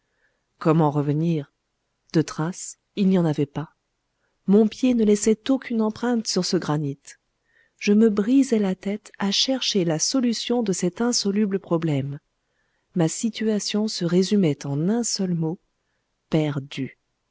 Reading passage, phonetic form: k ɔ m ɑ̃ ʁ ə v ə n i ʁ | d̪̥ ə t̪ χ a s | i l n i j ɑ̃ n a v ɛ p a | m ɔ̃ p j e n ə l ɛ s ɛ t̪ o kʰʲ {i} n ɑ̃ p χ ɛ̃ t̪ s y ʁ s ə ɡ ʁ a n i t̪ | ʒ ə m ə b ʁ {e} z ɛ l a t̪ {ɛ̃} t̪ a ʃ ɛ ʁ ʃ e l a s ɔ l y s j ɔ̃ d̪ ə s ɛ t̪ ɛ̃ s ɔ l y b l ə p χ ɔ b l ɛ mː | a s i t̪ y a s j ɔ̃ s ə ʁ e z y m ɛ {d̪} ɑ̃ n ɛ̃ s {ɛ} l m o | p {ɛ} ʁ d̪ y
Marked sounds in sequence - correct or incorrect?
incorrect: y, incorrect: i, incorrect: ɛ, incorrect: t̪, incorrect: œ, correct

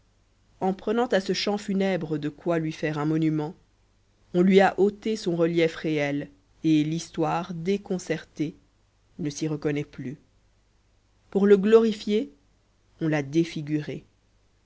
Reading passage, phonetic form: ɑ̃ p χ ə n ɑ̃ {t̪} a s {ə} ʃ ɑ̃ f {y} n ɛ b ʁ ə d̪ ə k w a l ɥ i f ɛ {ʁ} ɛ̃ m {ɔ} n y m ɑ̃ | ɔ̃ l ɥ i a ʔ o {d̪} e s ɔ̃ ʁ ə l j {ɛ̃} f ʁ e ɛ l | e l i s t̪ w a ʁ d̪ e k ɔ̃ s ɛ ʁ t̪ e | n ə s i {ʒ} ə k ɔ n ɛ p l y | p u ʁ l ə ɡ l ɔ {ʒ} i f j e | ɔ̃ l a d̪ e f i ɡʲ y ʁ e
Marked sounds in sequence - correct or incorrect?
correct, correct, correct, correct, correct, incorrect: t̪, incorrect: ɛ, incorrect: ʁ, incorrect: ʁ

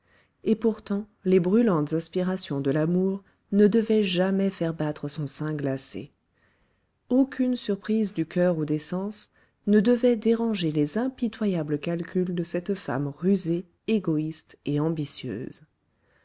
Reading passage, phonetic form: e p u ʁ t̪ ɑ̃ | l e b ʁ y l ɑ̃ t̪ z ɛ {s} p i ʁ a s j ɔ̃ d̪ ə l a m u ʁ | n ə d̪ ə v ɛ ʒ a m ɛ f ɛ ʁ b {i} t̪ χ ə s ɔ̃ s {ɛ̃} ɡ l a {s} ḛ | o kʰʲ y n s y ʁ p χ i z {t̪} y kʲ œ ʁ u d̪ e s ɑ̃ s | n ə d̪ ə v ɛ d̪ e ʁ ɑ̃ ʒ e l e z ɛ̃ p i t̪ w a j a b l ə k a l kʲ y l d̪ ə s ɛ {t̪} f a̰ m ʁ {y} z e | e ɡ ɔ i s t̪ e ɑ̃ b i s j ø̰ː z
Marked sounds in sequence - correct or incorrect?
correct, incorrect: a, correct, correct, incorrect: d̪, correct, correct

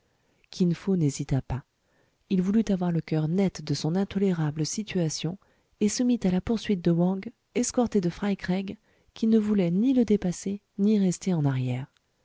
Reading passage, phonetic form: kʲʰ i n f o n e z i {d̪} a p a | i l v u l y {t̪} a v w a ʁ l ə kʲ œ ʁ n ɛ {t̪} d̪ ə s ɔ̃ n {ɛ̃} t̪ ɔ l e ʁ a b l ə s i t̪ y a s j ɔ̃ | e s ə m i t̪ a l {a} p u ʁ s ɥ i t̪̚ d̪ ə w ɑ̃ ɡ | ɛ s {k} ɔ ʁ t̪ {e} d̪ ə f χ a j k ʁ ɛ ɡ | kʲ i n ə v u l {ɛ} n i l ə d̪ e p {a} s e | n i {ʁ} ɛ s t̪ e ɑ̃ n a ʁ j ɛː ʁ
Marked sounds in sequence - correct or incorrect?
incorrect: t̪, correct, correct, correct, correct, correct, correct, correct, correct, correct

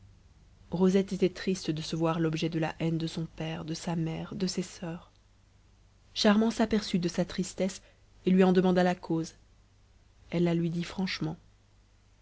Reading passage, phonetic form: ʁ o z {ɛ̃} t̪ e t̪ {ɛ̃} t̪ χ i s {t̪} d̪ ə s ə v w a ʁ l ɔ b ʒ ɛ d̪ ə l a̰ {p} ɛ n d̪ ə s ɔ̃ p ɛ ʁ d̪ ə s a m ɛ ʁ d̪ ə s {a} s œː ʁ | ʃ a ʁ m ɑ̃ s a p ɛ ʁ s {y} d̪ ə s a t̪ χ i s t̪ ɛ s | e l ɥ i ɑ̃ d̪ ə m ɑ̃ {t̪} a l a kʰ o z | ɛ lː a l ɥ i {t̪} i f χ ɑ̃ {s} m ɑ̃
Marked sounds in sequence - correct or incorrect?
incorrect: ɛ, incorrect: ɛ, correct, incorrect: ʔ, incorrect: e, correct, incorrect: d̪, incorrect: d̪, incorrect: ʃ

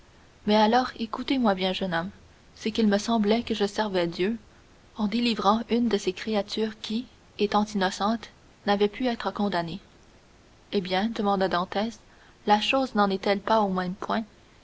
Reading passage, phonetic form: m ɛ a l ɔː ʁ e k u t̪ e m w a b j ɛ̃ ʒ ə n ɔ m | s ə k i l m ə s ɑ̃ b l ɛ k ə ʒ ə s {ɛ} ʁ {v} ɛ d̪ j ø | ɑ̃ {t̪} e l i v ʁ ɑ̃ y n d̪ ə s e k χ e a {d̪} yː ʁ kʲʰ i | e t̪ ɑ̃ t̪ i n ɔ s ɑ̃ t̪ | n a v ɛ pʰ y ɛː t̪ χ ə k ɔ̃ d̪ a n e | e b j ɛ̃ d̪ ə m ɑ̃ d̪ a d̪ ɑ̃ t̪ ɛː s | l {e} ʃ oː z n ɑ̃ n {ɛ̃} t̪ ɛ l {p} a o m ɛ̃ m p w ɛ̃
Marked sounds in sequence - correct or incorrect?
correct, correct, incorrect: d̪, incorrect: t̪, incorrect: a, incorrect: ɛ, correct

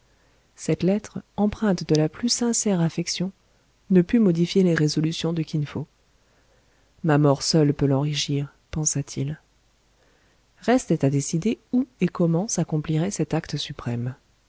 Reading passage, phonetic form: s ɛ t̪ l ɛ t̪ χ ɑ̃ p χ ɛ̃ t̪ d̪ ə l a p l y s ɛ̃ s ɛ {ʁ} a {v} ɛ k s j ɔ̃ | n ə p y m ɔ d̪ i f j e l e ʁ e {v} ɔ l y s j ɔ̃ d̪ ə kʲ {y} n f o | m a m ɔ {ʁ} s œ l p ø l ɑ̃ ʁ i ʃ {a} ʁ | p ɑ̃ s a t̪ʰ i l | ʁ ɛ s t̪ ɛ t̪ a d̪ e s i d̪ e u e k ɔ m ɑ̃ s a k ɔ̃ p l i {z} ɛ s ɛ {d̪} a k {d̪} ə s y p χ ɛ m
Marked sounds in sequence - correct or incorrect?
correct, incorrect: f, incorrect: z, incorrect: i, correct, incorrect: i, incorrect: ʁ, incorrect: t̪, incorrect: t̪

